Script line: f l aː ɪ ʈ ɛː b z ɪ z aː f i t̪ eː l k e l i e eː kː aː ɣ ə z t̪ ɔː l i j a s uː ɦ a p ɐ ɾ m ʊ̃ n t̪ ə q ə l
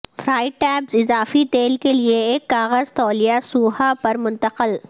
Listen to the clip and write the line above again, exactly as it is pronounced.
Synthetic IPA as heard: f ɾ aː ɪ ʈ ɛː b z ɪ z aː f i t̪ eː l k e l i e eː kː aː ɣ ə z t̪ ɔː l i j a s uː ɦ a p ɐ ɾ m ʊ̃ n t̪ ə q ə l